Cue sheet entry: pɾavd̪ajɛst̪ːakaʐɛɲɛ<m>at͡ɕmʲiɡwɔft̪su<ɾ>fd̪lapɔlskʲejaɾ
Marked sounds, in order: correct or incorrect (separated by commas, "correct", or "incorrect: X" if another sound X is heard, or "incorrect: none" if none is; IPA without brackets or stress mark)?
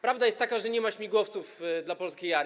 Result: correct, incorrect: none